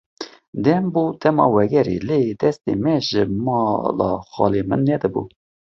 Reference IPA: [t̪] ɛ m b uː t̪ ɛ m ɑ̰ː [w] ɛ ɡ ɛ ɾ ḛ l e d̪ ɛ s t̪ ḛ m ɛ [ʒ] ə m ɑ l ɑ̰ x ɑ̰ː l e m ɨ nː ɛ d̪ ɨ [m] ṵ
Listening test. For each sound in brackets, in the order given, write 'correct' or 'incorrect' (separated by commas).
incorrect, correct, correct, incorrect